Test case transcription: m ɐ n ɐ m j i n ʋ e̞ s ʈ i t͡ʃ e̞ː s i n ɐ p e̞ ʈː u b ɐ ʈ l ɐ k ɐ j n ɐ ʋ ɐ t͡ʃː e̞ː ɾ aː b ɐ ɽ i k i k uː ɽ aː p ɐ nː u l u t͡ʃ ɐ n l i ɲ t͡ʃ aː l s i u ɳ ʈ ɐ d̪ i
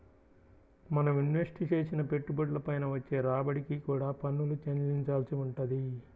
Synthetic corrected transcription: m ɐ n ɐ m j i n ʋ e̞ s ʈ i t͡ʃ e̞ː s i n ɐ p e̞ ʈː u b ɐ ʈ l ɐ p ɐ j n ɐ ʋ ɐ t͡ʃː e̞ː ɾ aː b ɐ ɽ i k i k uː ɽ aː p ɐ nː u l u t͡ʃ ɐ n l i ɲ t͡ʃ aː l s i u ɳ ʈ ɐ d̪ i